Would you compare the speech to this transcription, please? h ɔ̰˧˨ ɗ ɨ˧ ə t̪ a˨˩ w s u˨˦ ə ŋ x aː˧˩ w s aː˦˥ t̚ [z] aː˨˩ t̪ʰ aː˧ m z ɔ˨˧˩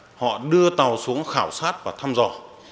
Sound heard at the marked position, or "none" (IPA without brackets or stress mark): v